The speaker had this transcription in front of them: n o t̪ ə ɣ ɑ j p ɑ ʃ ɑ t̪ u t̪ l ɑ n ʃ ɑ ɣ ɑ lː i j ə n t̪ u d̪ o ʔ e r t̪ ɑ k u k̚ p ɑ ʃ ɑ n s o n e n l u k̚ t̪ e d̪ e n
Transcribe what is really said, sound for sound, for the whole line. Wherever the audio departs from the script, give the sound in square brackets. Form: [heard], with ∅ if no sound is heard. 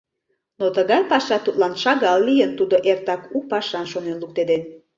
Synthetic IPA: n o t̪ ə ɣ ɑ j p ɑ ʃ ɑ t̪ u t̪ l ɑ n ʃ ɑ ɣ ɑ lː i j ə n t̪ u d̪ o ʔ e r t̪ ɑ k u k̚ p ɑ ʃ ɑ n [ʃ] o n e n l u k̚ t̪ e d̪ e n